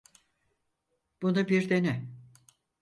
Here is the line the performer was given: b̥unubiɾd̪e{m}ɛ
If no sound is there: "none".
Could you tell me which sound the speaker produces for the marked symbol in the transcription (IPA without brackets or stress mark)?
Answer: n